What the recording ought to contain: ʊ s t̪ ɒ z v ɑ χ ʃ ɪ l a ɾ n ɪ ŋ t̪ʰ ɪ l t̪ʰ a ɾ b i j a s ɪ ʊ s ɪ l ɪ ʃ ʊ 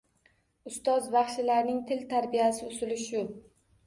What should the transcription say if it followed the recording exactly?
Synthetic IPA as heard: ʊ s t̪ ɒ z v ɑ χ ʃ ɪ l a ɾ n ɪ ŋ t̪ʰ ɪ l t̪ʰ a ɾ b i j a s ɪ ʊ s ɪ l ɪ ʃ ʊ